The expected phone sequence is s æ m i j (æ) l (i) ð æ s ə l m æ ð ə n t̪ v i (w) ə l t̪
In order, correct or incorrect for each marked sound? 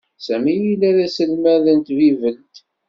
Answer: incorrect: i, incorrect: æ, incorrect: v

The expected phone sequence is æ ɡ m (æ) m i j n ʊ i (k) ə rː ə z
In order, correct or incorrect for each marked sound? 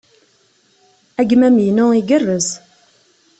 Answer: correct, incorrect: ɡ

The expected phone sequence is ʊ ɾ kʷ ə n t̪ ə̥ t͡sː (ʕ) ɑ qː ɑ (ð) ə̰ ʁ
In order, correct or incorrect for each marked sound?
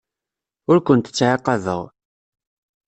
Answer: correct, correct

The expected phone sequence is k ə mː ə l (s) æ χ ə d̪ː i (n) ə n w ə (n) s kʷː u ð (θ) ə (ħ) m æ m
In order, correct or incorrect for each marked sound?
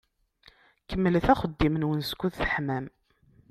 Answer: incorrect: θ, incorrect: m, correct, correct, correct

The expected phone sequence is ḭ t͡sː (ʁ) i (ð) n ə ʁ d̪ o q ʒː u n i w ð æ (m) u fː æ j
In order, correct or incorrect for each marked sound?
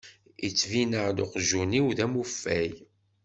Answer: incorrect: v, incorrect: none, correct

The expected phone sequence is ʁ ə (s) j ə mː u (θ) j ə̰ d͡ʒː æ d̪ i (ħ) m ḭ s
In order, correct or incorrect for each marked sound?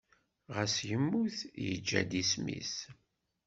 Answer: correct, correct, incorrect: s

